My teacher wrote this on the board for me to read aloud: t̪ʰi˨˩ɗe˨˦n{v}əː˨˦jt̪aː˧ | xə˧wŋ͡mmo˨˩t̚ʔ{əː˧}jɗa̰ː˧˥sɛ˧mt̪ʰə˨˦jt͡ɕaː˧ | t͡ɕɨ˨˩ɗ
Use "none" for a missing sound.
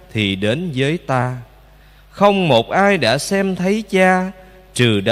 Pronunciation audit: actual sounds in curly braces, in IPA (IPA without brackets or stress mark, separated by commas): z, aː˧